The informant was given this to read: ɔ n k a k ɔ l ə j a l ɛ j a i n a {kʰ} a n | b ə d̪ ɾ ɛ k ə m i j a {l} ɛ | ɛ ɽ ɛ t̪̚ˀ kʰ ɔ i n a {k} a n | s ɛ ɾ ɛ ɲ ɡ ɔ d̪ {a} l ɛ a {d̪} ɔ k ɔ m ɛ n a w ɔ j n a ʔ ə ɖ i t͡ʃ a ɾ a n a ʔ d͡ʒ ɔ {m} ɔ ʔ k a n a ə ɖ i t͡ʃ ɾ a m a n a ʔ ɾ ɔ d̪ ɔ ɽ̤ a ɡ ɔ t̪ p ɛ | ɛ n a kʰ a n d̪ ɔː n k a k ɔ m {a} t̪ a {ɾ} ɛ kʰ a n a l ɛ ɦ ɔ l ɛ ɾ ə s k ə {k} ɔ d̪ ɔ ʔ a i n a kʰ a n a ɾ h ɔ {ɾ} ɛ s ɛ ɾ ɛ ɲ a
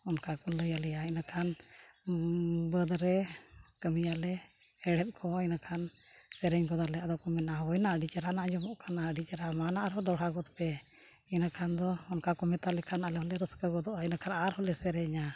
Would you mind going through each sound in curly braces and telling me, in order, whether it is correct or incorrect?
correct, correct, incorrect: kʰ, correct, correct, correct, incorrect: ɛ, incorrect: l, incorrect: ɡ, incorrect: l

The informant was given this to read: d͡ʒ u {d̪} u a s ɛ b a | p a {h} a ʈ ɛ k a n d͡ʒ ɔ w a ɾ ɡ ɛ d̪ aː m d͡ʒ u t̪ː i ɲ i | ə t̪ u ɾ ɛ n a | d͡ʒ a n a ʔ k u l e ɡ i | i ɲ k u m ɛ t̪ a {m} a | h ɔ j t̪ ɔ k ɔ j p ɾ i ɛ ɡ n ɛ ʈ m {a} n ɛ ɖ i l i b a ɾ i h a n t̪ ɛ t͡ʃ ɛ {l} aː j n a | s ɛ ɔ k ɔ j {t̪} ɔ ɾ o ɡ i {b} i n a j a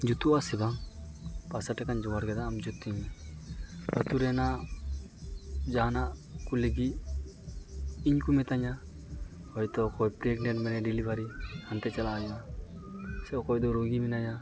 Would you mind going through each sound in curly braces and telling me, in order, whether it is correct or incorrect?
incorrect: t̪, incorrect: s, incorrect: ɲ, incorrect: ɛ, correct, incorrect: d̪, incorrect: m

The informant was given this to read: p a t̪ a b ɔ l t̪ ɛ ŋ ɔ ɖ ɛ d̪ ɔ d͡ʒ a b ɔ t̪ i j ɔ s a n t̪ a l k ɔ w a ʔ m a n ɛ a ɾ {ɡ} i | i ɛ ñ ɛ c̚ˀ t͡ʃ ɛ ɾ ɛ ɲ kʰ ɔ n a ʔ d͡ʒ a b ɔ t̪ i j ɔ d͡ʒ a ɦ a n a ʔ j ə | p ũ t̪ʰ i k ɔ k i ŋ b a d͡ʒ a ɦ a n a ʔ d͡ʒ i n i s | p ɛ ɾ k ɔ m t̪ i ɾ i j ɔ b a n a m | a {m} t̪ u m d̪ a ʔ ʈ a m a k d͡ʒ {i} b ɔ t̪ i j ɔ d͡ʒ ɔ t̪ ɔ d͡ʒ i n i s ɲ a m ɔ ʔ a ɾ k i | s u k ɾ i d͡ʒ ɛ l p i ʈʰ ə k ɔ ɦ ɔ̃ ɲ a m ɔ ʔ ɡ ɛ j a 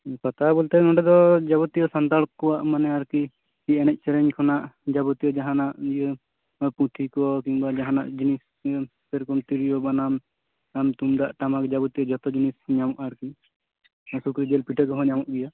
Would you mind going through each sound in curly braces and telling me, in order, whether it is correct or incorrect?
incorrect: k, correct, incorrect: a

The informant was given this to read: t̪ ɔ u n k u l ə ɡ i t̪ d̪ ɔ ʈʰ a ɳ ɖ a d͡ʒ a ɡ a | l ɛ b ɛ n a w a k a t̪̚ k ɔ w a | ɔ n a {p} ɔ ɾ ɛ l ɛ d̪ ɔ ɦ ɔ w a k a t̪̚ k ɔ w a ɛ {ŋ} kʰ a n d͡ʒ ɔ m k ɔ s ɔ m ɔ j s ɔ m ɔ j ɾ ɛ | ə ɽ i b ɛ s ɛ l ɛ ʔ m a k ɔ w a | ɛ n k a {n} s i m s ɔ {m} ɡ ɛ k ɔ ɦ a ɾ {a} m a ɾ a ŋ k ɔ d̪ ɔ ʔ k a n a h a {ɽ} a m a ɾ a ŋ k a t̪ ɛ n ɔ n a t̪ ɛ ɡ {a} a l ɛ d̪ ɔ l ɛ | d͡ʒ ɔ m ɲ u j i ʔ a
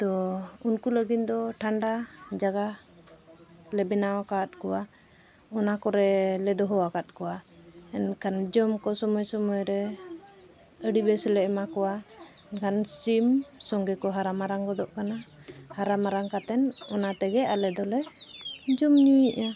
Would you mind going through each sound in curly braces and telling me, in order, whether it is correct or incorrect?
incorrect: k, incorrect: n, correct, incorrect: ŋ, correct, incorrect: ɾ, incorrect: ɛ

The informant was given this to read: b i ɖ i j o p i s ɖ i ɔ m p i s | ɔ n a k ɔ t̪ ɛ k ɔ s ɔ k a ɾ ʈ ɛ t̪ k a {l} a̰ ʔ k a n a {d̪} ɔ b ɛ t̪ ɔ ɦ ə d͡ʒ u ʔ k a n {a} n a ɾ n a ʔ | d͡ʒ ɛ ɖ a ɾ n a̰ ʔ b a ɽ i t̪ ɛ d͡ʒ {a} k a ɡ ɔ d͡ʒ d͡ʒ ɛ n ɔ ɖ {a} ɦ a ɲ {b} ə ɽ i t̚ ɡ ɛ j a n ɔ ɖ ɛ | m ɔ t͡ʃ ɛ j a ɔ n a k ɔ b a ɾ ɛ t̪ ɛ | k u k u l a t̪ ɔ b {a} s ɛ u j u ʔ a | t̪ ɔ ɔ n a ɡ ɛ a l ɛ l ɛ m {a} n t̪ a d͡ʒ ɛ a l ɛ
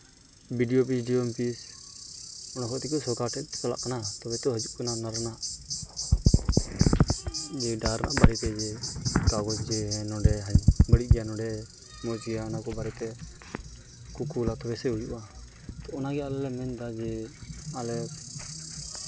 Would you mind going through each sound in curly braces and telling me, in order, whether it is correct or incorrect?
correct, incorrect: t̪, correct, incorrect: ɛ, incorrect: ɛ, correct, incorrect: ɛ, incorrect: ɛ

